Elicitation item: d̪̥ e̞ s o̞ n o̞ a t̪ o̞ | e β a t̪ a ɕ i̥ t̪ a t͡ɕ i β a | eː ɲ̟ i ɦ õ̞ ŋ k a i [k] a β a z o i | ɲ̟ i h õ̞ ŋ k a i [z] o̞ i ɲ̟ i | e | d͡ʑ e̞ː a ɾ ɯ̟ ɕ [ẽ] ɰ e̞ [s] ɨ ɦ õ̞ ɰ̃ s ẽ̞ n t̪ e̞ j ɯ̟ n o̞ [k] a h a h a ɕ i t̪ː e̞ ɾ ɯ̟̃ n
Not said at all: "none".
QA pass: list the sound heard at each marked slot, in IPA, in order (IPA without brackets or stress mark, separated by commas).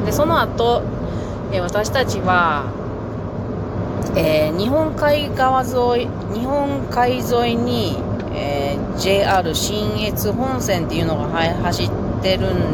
ɡ, z, ĩ, t͡s, ɡ